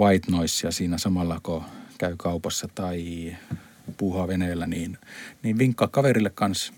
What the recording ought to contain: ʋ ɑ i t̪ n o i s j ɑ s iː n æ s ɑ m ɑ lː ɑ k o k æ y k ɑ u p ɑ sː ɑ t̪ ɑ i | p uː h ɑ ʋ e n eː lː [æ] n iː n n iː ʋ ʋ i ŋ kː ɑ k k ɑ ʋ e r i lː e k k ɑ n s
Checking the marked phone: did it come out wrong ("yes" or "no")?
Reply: no